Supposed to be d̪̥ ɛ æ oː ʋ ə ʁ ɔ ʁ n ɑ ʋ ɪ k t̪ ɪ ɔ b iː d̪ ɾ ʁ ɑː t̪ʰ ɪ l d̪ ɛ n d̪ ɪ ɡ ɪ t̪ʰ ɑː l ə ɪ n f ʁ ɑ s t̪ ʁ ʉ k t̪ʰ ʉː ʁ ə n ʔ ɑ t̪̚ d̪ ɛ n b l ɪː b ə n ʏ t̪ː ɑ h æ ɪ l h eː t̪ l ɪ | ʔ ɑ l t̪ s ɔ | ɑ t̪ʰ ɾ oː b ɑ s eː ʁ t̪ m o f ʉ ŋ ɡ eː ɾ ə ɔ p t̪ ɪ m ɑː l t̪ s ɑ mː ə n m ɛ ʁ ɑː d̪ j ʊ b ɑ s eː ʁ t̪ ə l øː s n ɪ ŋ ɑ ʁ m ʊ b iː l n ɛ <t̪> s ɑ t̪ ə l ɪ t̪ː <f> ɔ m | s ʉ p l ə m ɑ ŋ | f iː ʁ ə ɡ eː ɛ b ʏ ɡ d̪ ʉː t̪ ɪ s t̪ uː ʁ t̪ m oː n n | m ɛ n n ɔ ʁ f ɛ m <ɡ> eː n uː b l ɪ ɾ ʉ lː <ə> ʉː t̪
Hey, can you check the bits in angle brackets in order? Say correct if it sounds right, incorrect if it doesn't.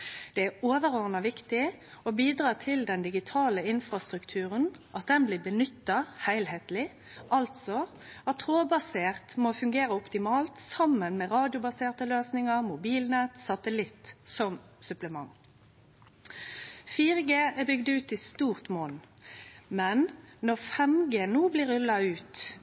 correct, incorrect: s, correct, incorrect: ɑ

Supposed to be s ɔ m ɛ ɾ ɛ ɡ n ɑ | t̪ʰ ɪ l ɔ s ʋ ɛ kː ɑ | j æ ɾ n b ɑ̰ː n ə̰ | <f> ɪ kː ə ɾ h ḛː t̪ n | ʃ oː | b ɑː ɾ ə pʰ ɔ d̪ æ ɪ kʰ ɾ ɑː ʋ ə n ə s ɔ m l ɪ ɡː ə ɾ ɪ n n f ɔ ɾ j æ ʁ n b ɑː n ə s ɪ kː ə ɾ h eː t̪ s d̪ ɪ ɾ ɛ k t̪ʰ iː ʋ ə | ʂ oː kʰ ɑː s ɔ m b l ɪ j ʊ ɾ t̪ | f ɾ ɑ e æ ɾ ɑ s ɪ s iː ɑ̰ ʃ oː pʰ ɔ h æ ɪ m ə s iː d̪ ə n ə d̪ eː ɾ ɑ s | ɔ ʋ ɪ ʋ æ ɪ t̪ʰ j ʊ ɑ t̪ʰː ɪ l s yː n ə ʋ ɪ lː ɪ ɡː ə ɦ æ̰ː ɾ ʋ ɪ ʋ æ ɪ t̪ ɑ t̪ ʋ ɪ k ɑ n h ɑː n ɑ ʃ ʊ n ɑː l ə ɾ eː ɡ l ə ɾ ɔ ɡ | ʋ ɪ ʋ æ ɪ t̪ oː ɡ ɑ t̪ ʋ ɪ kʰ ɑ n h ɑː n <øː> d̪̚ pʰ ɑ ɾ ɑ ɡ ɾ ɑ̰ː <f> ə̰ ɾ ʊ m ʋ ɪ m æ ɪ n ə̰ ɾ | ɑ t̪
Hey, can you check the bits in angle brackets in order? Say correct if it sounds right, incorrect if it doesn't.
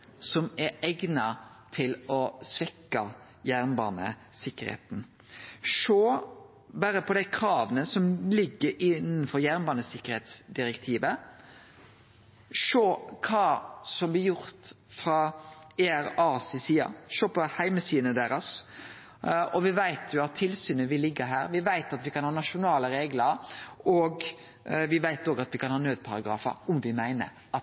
incorrect: s, correct, correct

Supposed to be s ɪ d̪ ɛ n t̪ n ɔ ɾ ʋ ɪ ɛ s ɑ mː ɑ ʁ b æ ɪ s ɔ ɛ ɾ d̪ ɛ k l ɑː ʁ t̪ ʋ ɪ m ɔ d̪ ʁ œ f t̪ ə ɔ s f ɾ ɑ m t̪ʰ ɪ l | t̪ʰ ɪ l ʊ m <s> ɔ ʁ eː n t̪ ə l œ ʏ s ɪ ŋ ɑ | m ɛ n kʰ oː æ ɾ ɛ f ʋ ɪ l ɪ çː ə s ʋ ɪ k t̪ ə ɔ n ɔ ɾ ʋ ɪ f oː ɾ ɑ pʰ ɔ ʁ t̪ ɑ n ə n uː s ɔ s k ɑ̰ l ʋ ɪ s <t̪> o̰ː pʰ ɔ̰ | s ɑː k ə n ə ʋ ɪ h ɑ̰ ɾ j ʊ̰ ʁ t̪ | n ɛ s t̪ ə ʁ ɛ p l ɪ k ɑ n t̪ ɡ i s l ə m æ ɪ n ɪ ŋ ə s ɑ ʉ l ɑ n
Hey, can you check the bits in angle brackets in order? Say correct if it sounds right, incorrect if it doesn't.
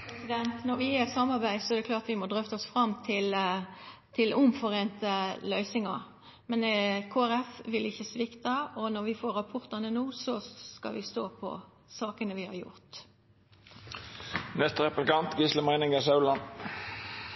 incorrect: f, correct

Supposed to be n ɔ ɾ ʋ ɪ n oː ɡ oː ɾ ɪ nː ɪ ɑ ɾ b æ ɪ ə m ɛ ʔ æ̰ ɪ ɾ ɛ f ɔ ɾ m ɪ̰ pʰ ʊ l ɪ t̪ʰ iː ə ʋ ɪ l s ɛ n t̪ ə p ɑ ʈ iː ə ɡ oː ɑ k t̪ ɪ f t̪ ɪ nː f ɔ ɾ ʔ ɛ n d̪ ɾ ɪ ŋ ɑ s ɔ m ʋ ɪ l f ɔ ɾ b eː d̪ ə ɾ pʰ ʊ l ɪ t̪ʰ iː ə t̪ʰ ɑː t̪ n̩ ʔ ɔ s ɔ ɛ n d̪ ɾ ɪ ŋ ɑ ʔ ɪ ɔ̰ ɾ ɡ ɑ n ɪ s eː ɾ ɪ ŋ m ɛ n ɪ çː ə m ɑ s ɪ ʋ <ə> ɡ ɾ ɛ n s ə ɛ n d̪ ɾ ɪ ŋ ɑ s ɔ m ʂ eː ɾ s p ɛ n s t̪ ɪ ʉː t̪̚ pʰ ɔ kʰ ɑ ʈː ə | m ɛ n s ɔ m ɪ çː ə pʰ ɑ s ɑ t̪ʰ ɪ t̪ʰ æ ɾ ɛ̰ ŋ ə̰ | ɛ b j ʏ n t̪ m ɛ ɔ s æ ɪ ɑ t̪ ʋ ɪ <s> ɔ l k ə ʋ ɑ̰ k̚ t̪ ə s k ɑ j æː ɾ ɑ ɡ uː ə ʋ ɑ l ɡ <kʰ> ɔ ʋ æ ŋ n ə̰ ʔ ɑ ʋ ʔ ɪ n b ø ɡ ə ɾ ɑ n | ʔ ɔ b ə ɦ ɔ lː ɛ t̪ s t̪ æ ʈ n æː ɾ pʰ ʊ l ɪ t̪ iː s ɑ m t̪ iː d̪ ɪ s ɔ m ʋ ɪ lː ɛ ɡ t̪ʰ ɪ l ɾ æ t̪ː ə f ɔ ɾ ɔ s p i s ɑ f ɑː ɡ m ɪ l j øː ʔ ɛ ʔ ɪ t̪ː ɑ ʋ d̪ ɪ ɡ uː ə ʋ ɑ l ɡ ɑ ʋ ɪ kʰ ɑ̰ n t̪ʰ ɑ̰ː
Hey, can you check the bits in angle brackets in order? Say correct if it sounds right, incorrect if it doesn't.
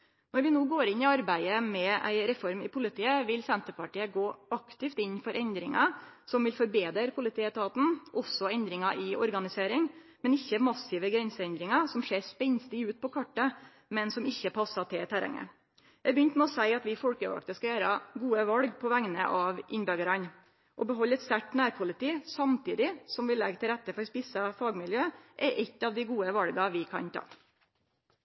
correct, incorrect: f, incorrect: pʰ

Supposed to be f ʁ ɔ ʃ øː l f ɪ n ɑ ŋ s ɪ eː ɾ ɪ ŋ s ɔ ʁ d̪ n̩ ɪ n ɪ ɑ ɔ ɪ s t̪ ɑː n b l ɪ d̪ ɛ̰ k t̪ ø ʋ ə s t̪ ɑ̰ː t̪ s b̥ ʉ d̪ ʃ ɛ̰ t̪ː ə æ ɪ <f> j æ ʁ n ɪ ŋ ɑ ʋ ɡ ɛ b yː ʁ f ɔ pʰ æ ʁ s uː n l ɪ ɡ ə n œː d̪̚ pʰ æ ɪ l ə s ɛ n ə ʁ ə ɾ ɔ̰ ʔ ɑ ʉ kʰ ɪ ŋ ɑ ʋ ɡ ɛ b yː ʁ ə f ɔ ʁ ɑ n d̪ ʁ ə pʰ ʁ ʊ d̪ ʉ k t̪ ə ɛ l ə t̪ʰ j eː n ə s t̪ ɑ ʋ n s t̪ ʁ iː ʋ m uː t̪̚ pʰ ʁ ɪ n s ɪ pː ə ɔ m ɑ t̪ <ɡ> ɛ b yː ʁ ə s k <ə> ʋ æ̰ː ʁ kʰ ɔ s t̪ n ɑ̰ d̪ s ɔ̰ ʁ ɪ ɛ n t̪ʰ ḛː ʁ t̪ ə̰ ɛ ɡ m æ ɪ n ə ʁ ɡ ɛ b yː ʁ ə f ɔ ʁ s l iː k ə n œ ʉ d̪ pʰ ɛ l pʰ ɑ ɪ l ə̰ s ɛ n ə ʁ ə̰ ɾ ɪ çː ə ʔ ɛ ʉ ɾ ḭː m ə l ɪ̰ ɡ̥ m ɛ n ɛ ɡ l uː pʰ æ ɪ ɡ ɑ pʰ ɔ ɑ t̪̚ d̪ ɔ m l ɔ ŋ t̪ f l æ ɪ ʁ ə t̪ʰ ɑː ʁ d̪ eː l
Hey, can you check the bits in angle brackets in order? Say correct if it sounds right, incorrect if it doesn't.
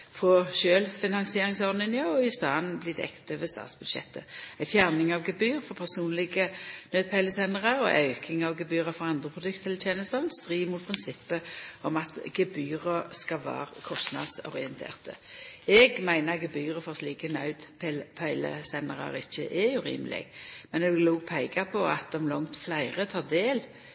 correct, correct, incorrect: ɑ

